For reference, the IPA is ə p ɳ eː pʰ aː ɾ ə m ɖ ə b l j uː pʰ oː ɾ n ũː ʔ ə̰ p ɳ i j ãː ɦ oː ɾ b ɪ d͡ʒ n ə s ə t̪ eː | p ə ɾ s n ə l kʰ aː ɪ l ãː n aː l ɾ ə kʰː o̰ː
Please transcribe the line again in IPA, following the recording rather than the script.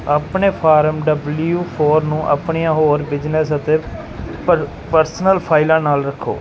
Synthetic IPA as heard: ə p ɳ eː pʰ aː ɾ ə m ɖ ə b l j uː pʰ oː ɾ n ũː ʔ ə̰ p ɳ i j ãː ɦ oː ɾ b ɪ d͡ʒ n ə s ə t̪ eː | p ə ɾ s n ə l pʰ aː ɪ l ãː n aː l ɾ ə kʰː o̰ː